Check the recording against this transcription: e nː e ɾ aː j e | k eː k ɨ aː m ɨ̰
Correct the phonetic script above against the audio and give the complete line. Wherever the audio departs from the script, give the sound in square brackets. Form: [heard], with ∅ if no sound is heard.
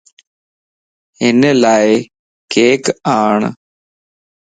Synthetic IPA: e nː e [l] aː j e | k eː k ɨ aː [ɳ] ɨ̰

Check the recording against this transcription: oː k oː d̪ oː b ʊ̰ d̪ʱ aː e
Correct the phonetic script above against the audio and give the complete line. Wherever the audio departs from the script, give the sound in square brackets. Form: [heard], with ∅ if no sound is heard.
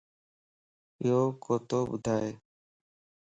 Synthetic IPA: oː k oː [t̪] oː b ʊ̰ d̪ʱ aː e

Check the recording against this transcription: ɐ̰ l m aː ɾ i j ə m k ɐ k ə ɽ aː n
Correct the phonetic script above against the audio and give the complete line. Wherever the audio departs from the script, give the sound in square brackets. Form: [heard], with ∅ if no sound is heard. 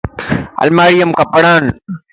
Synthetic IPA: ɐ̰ l m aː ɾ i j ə m k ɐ [p] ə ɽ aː n

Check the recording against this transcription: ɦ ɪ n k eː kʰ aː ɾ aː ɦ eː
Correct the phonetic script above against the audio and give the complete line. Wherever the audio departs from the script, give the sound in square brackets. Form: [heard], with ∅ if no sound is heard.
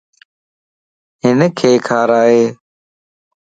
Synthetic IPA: ɦ ɪ n [kʰ] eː kʰ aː ɾ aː ɦ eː

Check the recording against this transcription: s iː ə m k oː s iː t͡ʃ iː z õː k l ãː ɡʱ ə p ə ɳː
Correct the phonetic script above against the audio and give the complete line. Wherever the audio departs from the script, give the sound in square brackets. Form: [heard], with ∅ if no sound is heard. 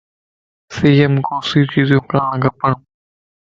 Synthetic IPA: s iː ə m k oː s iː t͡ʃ iː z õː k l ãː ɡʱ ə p ə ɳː

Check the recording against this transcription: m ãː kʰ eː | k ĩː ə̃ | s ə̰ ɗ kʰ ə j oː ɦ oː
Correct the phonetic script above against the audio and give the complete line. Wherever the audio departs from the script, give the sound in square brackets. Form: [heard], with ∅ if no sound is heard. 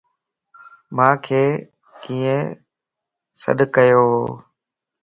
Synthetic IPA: m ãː kʰ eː | k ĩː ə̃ | s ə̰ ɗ [k] ə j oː ɦ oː

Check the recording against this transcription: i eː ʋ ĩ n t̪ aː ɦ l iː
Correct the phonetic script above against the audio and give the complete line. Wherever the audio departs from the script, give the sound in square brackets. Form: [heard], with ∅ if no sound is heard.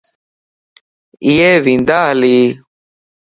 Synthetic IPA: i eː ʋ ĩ n [d̪] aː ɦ l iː

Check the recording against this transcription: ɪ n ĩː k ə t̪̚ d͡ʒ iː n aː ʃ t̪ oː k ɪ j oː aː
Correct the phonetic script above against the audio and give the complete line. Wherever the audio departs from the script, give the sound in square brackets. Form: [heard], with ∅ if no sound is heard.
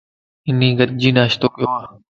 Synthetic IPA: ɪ n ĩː [ɡ] ə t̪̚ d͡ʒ iː n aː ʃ t̪ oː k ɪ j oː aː

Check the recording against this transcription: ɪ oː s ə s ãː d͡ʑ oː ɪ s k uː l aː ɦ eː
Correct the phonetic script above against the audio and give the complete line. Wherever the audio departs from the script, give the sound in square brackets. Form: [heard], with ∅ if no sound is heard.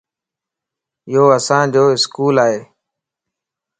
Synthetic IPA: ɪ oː [∅] ə s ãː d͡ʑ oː ɪ s k uː l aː ɦ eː

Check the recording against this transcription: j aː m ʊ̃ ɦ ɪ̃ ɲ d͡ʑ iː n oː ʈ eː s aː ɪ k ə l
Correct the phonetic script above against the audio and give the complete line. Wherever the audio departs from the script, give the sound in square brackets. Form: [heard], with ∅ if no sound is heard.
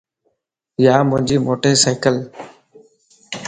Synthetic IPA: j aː m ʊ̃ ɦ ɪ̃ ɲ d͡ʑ iː [m] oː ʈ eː s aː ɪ k ə l

